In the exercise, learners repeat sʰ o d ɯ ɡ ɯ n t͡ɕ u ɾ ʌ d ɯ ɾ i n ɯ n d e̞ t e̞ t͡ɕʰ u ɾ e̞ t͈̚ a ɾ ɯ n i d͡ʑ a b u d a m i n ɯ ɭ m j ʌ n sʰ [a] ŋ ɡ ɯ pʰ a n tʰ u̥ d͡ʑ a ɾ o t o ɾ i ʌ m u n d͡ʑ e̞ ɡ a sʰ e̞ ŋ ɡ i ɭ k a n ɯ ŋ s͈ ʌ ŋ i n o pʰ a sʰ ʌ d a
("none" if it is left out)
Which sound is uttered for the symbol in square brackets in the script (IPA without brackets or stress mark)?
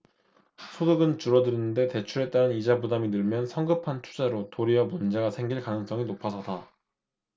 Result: ʌ